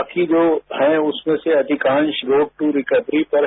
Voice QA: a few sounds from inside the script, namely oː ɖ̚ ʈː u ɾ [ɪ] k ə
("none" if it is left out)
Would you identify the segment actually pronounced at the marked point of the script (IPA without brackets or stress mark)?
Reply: ɪ